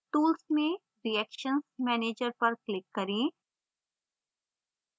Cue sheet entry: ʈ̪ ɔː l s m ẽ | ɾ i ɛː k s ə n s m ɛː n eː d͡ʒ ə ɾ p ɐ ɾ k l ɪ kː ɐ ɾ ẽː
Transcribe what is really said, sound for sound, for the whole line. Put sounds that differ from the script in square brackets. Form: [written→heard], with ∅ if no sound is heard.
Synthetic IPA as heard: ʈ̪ [ɔː→uː] l s m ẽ | ɾ i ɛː k [s→ʃ] ə n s m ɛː n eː d͡ʒ ə ɾ p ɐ ɾ k l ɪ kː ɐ ɾ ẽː

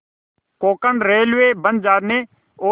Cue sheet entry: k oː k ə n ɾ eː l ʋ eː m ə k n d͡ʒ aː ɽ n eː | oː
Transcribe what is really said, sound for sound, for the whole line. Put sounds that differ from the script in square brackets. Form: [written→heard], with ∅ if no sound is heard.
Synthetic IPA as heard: k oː k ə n ɾ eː l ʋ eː [m→b] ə [k→∅] n d͡ʒ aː [ɽ→ɾ] n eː | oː

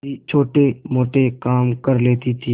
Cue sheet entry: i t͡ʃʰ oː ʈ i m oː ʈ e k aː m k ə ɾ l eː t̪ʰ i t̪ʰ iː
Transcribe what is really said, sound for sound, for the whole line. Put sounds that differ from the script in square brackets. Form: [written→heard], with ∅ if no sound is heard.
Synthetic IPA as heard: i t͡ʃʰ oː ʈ [i→e] m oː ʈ e k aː m k ə ɾ l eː [t̪ʰ→t̪] i t̪ʰ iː

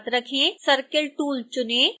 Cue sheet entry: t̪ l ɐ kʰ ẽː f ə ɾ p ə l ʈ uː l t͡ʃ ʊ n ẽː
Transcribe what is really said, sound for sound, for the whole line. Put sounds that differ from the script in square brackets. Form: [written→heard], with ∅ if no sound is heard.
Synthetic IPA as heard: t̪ [l→ɾ] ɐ kʰ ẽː [f→s] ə ɾ [p→k] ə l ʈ uː l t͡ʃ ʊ n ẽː

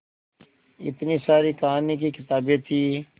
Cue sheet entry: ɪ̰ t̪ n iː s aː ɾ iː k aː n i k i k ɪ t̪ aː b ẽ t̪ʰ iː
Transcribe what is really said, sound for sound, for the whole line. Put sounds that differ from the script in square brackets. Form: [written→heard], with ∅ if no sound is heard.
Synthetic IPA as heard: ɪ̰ t̪ n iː s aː ɾ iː k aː n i k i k ɪ t̪ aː b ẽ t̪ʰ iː

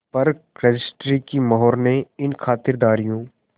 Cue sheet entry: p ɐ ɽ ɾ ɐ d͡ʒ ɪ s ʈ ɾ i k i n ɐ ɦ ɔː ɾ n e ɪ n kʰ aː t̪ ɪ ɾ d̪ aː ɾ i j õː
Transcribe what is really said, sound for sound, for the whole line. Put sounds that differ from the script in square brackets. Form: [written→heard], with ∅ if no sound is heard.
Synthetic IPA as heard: p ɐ [ɽ→ɾ] ɾ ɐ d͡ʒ ɪ s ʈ ɾ i k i [n→m] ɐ ɦ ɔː ɾ n e ɪ n kʰ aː t̪ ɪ ɾ d̪ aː ɾ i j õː

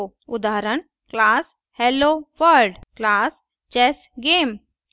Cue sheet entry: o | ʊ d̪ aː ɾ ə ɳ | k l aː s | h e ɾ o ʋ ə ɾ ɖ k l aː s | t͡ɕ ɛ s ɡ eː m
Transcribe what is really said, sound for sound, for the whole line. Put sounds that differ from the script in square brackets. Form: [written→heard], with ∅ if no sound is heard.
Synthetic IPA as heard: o | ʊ d̪ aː ɾ ə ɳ | k l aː s | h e [ɾ→l] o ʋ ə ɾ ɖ k l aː s | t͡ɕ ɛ s ɡ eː m

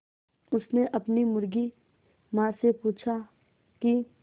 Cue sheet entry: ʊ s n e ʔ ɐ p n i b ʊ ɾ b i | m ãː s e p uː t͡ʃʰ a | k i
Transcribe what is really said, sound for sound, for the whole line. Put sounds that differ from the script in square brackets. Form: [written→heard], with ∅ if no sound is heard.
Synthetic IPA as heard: ʊ s n e ʔ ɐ p n i [b→m] ʊ ɾ [b→ɡ] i | m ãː s e p uː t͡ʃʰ a | k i

